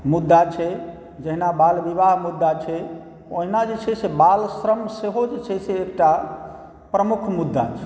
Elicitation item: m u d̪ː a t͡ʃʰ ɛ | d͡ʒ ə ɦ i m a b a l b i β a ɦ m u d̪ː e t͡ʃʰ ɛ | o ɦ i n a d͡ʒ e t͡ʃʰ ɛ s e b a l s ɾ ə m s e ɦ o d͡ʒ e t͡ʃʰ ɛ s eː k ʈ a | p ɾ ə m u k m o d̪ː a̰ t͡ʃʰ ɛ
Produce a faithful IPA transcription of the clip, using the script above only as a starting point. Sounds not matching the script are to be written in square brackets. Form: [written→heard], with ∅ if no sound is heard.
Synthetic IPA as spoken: m u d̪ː a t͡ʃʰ ɛ | d͡ʒ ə ɦ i [m→n] a b a l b i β a ɦ m u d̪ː [e→a] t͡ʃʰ ɛ | o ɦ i n a d͡ʒ e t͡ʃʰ ɛ s e b a l s ɾ ə m s e ɦ o d͡ʒ e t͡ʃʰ ɛ s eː k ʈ a | p ɾ ə m u [k→kʰ] m [o→u] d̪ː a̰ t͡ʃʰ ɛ

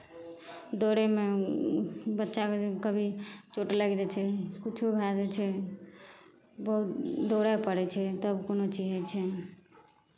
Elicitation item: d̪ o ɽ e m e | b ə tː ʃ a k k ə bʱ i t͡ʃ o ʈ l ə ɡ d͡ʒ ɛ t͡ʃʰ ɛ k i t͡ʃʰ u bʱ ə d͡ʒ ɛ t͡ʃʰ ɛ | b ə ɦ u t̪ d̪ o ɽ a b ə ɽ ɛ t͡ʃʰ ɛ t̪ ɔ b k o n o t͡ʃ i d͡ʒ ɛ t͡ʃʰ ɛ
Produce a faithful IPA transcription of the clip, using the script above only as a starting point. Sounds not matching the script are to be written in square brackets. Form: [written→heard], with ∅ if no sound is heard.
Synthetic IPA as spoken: d̪ o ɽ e m e | b ə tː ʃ a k k ə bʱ i t͡ʃ o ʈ l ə ɡ d͡ʒ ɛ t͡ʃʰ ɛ k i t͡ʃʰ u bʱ [ə→a] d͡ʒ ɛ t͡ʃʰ ɛ | b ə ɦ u t̪ d̪ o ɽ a [b→p] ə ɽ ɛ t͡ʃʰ ɛ t̪ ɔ b k o n o t͡ʃ i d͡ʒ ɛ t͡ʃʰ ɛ

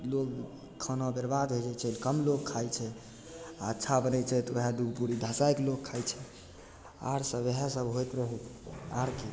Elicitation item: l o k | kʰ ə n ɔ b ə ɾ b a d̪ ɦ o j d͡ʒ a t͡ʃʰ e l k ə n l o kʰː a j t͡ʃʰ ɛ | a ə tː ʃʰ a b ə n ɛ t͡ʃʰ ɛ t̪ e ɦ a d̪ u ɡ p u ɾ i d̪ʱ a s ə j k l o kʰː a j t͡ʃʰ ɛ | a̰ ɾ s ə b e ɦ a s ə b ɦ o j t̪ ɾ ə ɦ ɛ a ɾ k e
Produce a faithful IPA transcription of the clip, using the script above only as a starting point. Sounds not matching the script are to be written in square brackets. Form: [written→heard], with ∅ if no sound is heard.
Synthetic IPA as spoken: l o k | kʰ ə n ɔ b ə ɾ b a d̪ ɦ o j d͡ʒ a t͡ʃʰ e l k ə [n→m] l o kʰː a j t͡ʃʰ ɛ | a ə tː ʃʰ a b ə n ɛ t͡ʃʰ ɛ t̪ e ɦ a d̪ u ɡ p u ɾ i d̪ʱ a s [ə→a] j k l o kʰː a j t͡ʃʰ ɛ | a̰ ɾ s ə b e ɦ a s ə b ɦ o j t̪ ɾ ə ɦ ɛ a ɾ k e

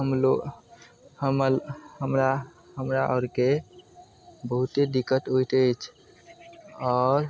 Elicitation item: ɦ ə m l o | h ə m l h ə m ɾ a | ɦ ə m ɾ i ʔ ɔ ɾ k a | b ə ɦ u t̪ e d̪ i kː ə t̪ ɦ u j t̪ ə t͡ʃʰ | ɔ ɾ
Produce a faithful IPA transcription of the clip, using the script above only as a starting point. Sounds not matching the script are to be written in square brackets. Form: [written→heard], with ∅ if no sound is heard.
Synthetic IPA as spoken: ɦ ə m l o | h ə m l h ə m ɾ a | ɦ ə m ɾ [i→a] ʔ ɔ ɾ k [a→e] | b ə ɦ u t̪ e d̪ i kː ə t̪ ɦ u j t̪ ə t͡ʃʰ | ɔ ɾ

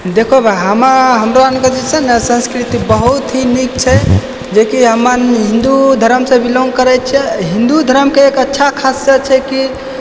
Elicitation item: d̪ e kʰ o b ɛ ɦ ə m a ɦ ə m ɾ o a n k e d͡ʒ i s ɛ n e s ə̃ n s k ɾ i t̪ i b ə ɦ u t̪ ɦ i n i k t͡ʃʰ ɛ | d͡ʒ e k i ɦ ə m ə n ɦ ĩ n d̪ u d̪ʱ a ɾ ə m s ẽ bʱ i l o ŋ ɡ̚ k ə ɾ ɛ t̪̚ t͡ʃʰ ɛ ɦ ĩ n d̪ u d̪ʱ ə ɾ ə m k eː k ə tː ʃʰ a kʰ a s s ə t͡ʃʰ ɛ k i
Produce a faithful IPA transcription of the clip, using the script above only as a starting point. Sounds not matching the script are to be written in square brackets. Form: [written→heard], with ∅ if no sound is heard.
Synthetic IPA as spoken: d̪ e kʰ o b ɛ ɦ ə m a ɦ ə m ɾ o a n k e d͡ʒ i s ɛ n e s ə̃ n s k ɾ i t̪ i b ə ɦ u t̪ ɦ i n i k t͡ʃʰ ɛ | d͡ʒ e k i ɦ ə m ə n ɦ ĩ n d̪ u d̪ʱ [a→ə] ɾ ə m s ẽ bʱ i l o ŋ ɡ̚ k ə ɾ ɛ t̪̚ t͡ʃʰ ɛ ɦ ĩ n d̪ u d̪ʱ ə ɾ ə m k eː k ə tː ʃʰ a kʰ a s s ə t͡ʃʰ ɛ k i

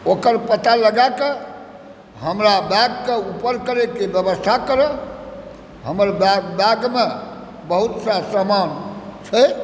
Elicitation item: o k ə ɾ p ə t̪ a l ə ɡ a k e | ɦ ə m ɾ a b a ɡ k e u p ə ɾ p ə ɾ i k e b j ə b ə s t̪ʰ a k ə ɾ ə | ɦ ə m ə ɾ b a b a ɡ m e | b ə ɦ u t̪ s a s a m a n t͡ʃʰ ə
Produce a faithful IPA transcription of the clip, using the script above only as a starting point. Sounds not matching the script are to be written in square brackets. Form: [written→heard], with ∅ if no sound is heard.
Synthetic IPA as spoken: o k ə ɾ p ə t̪ a l ə ɡ a k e | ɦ ə m ɾ a b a ɡ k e u p ə ɾ [p→k] ə ɾ [i→e] k e b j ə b ə s t̪ʰ a k ə ɾ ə | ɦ ə m ə ɾ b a b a ɡ m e | b ə ɦ u t̪ s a s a m a n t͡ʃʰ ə

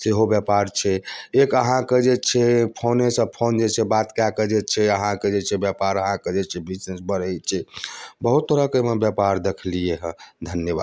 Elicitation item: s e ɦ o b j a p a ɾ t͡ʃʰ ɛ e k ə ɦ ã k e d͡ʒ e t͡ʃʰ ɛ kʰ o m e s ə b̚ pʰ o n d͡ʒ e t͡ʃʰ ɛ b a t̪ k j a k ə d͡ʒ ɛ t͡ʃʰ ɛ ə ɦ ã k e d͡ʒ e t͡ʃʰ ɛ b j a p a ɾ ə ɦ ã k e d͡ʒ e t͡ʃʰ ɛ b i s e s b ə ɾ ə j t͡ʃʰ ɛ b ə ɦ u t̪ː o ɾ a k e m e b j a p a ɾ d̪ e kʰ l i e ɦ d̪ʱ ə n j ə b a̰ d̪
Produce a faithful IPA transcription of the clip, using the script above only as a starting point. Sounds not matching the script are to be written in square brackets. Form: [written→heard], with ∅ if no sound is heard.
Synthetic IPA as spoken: s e ɦ o b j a p a ɾ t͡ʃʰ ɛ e k ə ɦ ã k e d͡ʒ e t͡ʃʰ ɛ [kʰ→pʰ] o [m→n] e s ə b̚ pʰ o n d͡ʒ e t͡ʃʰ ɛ b a t̪ k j a k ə d͡ʒ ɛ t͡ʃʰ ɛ ə ɦ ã k e d͡ʒ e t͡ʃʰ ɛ b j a p a ɾ ə ɦ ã k e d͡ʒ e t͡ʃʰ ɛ b i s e s b ə ɾ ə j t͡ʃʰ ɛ b ə ɦ u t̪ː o ɾ a k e m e b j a p a ɾ d̪ e kʰ l i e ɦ d̪ʱ ə n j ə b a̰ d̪

